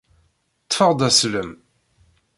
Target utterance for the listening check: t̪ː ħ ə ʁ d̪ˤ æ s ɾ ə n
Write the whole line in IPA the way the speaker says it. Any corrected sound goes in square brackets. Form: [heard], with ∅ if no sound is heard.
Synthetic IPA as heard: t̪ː [f] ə ʁ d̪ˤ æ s [l] ə [m]